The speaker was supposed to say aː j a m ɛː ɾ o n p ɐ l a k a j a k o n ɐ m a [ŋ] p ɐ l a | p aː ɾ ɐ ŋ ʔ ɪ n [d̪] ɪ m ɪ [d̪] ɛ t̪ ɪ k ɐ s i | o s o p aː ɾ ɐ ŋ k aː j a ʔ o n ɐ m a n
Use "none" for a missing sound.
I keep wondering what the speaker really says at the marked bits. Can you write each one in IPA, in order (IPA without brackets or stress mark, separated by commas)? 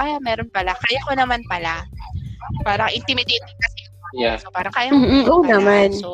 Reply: n, t̪, d̪